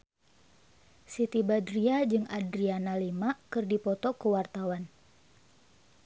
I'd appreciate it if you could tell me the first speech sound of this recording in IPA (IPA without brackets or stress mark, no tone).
s